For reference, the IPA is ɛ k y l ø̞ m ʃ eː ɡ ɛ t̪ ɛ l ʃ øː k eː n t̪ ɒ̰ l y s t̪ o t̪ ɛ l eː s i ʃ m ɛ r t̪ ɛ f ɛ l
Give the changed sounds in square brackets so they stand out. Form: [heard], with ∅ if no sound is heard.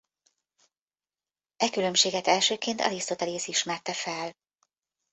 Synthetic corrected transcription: ɛ k y l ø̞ m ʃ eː ɡ ɛ t̪ ɛ l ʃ øː k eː n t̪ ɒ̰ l [i] s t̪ o t̪ ɛ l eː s i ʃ m ɛ r t̪ ɛ f ɛ l